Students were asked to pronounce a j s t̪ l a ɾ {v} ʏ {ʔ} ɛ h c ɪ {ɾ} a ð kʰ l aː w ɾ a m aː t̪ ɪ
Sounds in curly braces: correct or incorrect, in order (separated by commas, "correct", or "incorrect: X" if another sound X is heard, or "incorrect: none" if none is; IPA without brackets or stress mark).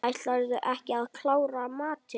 incorrect: ð, correct, incorrect: none